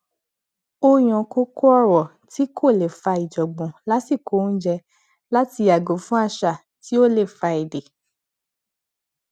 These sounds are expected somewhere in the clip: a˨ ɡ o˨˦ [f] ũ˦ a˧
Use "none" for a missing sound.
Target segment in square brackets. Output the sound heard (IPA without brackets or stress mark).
f